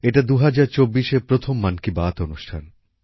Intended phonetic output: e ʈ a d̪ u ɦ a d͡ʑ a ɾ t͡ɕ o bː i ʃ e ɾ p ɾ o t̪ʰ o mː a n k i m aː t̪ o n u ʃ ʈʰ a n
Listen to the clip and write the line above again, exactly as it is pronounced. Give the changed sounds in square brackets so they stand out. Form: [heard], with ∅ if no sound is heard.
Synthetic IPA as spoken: e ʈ a d̪ u ɦ a d͡ʑ a ɾ t͡ɕ o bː i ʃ e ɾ p ɾ o t̪ʰ o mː a n k i [b] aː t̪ o n u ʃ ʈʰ a n